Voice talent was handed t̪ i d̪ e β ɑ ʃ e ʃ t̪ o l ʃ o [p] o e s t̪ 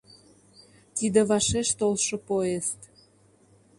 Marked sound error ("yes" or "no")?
no